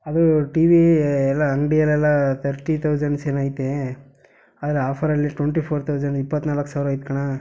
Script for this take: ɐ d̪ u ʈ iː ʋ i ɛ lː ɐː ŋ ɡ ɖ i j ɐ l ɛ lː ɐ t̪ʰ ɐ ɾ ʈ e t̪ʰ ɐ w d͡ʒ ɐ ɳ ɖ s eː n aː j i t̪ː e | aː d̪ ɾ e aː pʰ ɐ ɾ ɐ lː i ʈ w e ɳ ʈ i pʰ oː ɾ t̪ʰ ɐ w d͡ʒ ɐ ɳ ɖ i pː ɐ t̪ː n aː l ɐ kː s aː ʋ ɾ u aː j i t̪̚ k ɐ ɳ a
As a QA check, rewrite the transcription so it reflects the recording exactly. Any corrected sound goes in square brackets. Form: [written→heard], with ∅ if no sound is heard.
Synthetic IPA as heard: ɐ d̪ u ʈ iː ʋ i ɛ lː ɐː ŋ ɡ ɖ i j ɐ l ɛ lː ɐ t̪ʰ ɐ ɾ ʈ [e→i] t̪ʰ ɐ w d͡ʒ ɐ ɳ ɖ s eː n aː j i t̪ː e | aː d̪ ɾ e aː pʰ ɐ ɾ ɐ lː i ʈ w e ɳ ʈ i pʰ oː ɾ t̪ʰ ɐ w d͡ʒ ɐ ɳ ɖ i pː ɐ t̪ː n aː l ɐ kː s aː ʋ ɾ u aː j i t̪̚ k ɐ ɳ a

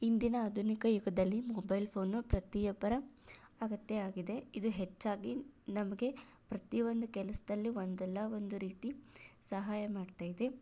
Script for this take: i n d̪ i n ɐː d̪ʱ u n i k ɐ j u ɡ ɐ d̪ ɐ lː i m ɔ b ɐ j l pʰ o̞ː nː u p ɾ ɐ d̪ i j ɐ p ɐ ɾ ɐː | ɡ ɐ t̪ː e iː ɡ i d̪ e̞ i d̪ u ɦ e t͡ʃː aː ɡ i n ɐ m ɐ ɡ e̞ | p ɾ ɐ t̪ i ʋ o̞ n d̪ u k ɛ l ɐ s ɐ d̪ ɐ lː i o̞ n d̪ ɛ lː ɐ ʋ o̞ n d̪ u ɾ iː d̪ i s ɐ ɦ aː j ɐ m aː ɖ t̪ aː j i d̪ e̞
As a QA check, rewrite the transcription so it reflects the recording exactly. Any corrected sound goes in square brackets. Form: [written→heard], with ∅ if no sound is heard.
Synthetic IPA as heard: i n d̪ i n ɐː d̪ʱ u n i k ɐ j u ɡ ɐ d̪ ɐ lː i m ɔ b ɐ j l pʰ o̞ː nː u p ɾ ɐ [d̪→t̪] i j ɐ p ɐ ɾ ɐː | ɡ ɐ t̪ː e [iː→aː] ɡ i d̪ e̞ i d̪ u ɦ e t͡ʃː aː ɡ i n ɐ m ɐ ɡ e̞ | p ɾ ɐ t̪ i ʋ o̞ n d̪ u k ɛ l ɐ s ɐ d̪ ɐ lː i o̞ n d̪ ɛ lː ɐ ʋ o̞ n d̪ u ɾ iː [d̪→t̪] i s ɐ ɦ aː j ɐ m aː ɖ t̪ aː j i d̪ e̞

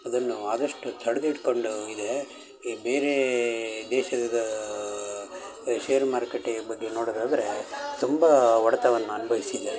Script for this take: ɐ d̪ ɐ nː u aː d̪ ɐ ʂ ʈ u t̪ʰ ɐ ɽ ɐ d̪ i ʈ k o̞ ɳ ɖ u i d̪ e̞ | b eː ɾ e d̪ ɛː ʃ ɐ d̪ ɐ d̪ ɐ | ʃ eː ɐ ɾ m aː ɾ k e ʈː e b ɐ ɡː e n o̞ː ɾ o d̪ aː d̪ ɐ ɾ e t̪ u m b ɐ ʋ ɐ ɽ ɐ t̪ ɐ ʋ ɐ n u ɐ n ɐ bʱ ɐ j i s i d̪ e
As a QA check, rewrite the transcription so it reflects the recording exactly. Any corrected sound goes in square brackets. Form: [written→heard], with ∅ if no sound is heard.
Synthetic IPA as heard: ɐ d̪ ɐ nː u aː d̪ ɐ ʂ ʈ u t̪ʰ ɐ ɽ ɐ d̪ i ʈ k o̞ ɳ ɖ u i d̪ e̞ | b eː ɾ e d̪ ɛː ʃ ɐ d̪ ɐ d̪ ɐ | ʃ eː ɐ ɾ m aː ɾ k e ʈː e b ɐ ɡː e n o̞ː [ɾ→ɽ] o d̪ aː d̪ ɐ ɾ e t̪ u m b ɐ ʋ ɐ ɽ ɐ t̪ ɐ ʋ ɐ [n→nː] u ɐ n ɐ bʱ ɐ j i s i d̪ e

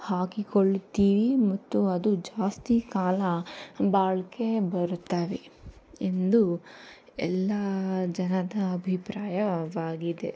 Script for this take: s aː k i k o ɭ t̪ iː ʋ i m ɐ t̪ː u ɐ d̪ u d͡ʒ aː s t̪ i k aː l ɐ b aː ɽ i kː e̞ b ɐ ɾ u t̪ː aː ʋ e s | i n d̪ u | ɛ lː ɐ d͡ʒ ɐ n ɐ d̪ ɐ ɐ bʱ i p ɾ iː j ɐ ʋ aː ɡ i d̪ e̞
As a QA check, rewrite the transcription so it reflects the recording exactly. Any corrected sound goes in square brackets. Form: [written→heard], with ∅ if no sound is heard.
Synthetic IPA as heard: [s→h] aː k i k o ɭ t̪ iː ʋ i m ɐ t̪ː u ɐ d̪ u d͡ʒ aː s t̪ i k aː l ɐ b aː [ɽ→ɭ] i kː e̞ b ɐ ɾ u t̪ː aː ʋ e [s→∅] | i n d̪ u | ɛ lː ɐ d͡ʒ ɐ n ɐ d̪ ɐ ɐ bʱ i p ɾ [iː→aː] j ɐ ʋ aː ɡ i d̪ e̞

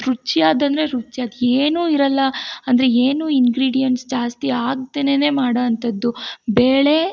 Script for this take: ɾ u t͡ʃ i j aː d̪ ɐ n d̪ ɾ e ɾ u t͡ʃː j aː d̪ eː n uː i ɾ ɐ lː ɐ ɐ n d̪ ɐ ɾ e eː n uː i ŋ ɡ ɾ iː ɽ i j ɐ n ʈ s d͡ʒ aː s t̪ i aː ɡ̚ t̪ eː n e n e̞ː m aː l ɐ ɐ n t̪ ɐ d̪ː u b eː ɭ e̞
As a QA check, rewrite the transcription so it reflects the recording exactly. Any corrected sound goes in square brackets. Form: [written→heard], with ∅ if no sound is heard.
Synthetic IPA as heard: ɾ u t͡ʃ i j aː d̪ ɐ n d̪ ɾ e ɾ u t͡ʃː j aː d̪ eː n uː i ɾ ɐ lː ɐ ɐ n d̪ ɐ ɾ e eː n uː i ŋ ɡ ɾ iː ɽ i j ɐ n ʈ s d͡ʒ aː s t̪ i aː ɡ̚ t̪ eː n e n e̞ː m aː [l→ɽ] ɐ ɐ n t̪ ɐ d̪ː u b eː ɭ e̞

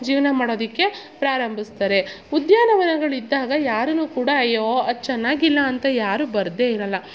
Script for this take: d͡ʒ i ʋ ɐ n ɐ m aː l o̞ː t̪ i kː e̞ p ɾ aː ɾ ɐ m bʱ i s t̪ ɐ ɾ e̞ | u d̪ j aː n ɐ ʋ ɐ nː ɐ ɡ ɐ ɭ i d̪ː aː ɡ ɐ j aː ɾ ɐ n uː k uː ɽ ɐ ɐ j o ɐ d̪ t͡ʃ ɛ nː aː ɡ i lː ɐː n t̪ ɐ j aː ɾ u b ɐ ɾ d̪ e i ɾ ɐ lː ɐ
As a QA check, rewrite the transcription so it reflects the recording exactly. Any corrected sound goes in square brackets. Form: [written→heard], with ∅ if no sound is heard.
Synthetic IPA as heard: d͡ʒ [i→iː] ʋ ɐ n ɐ m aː [l→ɽ] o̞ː [t̪→d̪] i kː e̞ p ɾ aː ɾ ɐ m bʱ i s t̪ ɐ ɾ e̞ | u d̪ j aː n ɐ ʋ ɐ [nː→n] ɐ ɡ ɐ ɭ i d̪ː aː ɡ ɐ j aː ɾ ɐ n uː k uː ɽ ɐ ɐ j o ɐ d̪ t͡ʃ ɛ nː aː ɡ i lː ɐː n t̪ ɐ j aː ɾ u b ɐ ɾ d̪ e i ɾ ɐ lː ɐ

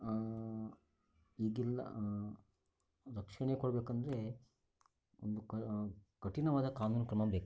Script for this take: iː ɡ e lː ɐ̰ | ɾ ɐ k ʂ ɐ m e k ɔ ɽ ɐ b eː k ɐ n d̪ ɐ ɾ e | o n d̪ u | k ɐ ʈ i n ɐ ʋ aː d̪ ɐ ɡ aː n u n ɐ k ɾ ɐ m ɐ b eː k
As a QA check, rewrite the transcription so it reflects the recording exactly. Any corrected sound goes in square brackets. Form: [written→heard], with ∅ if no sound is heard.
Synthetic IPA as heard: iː ɡ [e→i] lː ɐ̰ | ɾ ɐ k ʂ ɐ [m→ɳ] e k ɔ ɽ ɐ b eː k ɐ n d̪ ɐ ɾ e | o n d̪ u | k ɐ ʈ i n ɐ ʋ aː d̪ ɐ [ɡ→k] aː n [u→uː] n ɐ k ɾ ɐ m ɐ b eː k

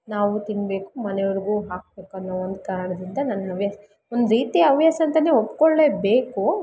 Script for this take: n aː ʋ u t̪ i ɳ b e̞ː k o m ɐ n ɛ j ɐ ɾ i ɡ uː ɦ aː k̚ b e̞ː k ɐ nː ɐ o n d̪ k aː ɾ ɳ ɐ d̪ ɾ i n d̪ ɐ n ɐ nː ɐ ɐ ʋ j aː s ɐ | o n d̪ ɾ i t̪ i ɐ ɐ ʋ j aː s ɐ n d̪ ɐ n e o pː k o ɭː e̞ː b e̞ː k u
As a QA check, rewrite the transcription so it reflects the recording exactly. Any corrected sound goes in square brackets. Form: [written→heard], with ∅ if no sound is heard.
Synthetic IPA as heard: n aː ʋ u t̪ i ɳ b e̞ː k [o→u] m ɐ n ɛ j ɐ ɾ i ɡ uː ɦ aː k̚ b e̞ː k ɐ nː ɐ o n d̪ k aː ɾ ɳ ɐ d̪ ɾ i n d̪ ɐ n ɐ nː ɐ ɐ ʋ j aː s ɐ | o n d̪ ɾ [i→iː] t̪ i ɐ ɐ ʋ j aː s ɐ n [d̪→t̪] ɐ n e o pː k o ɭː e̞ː b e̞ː k u

